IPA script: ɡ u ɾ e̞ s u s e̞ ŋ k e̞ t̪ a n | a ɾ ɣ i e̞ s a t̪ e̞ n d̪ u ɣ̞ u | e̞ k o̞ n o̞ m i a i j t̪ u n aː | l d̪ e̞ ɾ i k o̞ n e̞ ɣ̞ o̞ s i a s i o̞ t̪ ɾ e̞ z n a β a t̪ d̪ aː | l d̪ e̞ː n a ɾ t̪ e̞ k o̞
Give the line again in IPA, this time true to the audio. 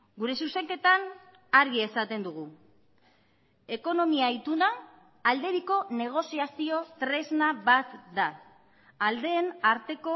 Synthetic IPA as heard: ɡ u ɾ e̞ s u s e̞ ŋ k e̞ t̪ a n | a ɾ ɣ i e̞ s a t̪ e̞ n d̪ u ɣ̞ u | e̞ k o̞ n o̞ m i a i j t̪ u n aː | l d̪ e̞ ɾ i k o̞ n e̞ ɣ̞ o̞ s i a s i o̞ t̪ ɾ e̞ z n a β a t̪ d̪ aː | l d̪ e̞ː n a ɾ t̪ e̞ k o̞